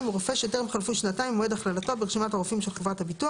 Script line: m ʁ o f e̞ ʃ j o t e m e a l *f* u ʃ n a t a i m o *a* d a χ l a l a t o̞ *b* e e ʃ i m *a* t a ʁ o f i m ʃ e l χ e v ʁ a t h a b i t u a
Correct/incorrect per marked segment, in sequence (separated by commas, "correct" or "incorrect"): correct, incorrect, correct, correct